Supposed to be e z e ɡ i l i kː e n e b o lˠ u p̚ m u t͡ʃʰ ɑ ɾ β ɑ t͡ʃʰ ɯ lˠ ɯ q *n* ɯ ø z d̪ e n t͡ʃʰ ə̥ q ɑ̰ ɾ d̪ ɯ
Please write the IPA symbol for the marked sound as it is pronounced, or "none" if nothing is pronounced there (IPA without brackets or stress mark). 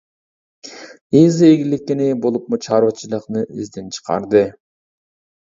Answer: n